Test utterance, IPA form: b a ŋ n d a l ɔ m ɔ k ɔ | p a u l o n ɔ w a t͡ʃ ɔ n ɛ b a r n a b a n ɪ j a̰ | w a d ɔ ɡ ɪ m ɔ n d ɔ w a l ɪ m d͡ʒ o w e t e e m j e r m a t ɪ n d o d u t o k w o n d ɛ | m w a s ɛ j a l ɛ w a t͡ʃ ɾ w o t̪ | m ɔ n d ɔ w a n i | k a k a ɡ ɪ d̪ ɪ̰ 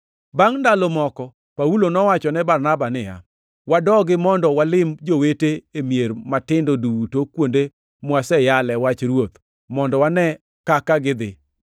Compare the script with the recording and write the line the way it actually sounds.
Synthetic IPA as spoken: b a ŋ n d a l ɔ m ɔ k ɔ | p a u l o n ɔ w a t͡ʃ ɔ n ɛ b a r n a b a n ɪ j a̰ | w a d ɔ ɡ ɪ m ɔ n d ɔ w a l ɪ m d͡ʒ o w e t e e m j e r m a t ɪ n d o d u t o k w o n d e | m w a s ɛ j a l ɛ w a t͡ʃ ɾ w o t̪ | m ɔ n d ɔ w a n ɛ | k a k a ɡ ɪ d̪ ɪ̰